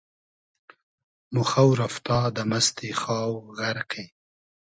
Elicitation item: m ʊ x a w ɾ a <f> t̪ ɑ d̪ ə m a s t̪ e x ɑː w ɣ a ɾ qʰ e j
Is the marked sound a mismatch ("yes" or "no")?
no